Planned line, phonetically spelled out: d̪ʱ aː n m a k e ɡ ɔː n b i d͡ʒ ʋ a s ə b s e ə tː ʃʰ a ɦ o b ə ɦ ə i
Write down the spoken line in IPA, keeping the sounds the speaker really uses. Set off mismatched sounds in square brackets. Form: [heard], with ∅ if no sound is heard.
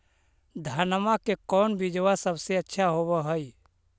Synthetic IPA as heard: d̪ʱ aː n m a k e [k] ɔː n b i d͡ʒ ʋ a s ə b s e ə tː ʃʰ a ɦ o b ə ɦ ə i